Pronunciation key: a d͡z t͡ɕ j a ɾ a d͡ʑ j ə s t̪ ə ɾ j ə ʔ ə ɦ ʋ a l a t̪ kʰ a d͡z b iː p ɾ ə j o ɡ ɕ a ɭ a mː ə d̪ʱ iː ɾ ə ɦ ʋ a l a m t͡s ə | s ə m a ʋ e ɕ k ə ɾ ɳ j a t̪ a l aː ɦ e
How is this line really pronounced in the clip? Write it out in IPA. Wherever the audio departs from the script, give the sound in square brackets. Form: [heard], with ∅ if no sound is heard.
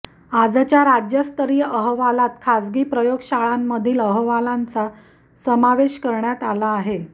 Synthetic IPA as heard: a d͡z t͡ɕ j a ɾ a d͡ʑ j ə s t̪ ə ɾ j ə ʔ ə ɦ ʋ a l a t̪ kʰ a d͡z [ɡ] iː p ɾ ə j o ɡ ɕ a ɭ a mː ə d̪ʱ iː [l] ə ɦ ʋ a l a [n] t͡s [a] | s ə m a ʋ e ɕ k ə ɾ ɳ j a t̪ a l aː ɦ e